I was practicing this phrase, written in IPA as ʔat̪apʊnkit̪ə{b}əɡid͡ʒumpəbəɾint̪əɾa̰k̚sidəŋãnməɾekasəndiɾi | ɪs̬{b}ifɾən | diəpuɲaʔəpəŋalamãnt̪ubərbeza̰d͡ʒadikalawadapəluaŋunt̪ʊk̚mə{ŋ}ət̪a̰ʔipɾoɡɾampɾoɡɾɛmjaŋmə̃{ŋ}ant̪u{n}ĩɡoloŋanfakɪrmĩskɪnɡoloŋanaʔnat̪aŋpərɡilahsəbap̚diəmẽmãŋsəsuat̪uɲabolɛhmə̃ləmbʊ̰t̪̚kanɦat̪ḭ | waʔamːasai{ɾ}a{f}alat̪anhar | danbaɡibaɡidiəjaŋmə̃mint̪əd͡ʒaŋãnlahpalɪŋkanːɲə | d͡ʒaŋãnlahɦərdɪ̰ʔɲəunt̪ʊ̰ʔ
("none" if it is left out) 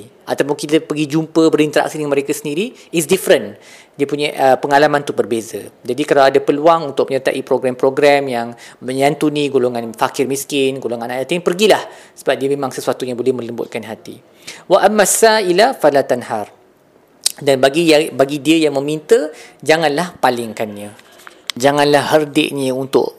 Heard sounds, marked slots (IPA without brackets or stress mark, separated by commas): p, d, ɲ, ɲ, n, l, f